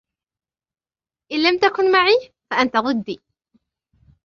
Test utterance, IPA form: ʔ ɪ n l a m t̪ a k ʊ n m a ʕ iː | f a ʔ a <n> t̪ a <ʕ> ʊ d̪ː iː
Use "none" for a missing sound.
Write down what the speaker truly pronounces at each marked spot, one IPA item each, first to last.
n, ɣ

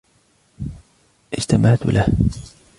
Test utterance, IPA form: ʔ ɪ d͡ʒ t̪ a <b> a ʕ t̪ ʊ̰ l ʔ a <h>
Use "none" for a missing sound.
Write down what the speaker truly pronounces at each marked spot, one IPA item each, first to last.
m, h

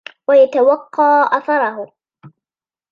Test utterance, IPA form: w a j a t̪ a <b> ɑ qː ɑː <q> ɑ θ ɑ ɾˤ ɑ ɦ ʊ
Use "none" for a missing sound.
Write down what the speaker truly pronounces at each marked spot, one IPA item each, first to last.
w, ʔ

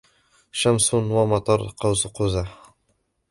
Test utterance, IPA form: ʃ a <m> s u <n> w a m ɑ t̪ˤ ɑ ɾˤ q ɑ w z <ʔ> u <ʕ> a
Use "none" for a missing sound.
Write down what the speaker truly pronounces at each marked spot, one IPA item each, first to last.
m, n, q, z

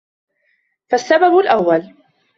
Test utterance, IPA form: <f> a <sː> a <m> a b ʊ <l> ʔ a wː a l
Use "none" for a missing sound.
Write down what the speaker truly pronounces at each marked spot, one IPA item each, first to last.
f, sː, b, l

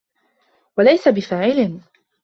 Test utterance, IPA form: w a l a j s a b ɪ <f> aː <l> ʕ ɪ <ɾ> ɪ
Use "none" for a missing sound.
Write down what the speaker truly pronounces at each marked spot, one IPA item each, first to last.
f, none, l

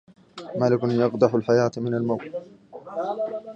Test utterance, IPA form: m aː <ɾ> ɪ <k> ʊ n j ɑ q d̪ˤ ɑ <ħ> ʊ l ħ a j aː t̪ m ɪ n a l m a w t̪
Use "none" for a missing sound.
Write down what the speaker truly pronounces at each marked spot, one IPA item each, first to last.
l, k, ħ

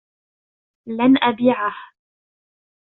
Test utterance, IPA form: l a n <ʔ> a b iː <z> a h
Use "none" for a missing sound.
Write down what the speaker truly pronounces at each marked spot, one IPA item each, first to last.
ʔ, ʕ

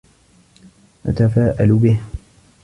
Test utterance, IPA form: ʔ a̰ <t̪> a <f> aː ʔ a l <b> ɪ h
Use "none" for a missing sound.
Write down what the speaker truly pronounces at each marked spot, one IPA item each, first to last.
t̪, f, b

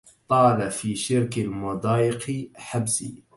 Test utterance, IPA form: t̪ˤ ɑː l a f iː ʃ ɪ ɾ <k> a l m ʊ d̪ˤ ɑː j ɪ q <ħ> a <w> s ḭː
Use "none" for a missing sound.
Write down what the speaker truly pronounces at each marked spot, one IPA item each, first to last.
k, ħ, b

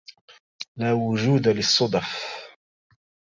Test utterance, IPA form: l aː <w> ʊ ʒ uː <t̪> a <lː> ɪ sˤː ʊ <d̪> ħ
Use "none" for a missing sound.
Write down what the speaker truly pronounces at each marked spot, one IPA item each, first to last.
w, d̪, l, d̪

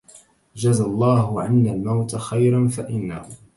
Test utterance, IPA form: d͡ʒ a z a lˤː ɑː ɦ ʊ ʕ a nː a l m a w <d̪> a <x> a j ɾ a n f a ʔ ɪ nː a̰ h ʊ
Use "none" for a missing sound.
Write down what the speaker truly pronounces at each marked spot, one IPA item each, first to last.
t̪, x

